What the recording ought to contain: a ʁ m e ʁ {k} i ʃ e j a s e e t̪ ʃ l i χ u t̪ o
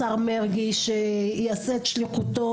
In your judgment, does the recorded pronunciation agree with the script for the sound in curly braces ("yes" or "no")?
no